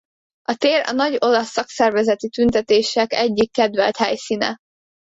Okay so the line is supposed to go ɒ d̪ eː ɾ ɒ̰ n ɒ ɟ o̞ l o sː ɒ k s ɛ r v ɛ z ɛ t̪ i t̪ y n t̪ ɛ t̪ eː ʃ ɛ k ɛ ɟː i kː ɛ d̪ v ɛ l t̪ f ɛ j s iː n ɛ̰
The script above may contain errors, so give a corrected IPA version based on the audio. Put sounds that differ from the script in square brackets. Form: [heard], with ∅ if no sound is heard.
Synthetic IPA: ɒ [t̪] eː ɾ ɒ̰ n ɒ ɟ o̞ l [ɒ] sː ɒ k s ɛ r v ɛ z ɛ t̪ i t̪ y n t̪ ɛ t̪ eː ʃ ɛ k ɛ ɟː i kː ɛ d̪ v ɛ l t̪ [h] ɛ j s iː n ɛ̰